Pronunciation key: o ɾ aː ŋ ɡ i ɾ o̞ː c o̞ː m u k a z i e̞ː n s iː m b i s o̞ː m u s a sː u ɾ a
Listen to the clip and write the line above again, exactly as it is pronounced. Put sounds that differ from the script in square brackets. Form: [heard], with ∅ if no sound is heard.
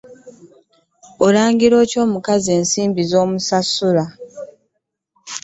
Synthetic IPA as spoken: o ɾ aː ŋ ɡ i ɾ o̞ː c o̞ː m u k a z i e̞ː n s iː m b i [z] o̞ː m u s a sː u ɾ a